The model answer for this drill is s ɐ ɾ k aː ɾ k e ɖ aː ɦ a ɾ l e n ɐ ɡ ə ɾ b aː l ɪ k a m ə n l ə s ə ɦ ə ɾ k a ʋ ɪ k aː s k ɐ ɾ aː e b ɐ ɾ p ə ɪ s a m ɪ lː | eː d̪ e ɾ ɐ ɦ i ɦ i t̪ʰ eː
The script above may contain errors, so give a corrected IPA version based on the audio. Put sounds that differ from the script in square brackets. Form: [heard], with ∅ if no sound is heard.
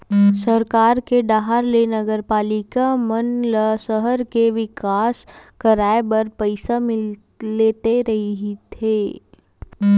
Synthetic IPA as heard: s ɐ ɾ k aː ɾ k e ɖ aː ɦ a ɾ l e n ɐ ɡ ə ɾ [p] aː l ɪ k a m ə n l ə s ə ɦ ə ɾ k [e] ʋ ɪ k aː s k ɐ ɾ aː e b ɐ ɾ p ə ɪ s a m ɪ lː | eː [t̪] e ɾ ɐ ɦ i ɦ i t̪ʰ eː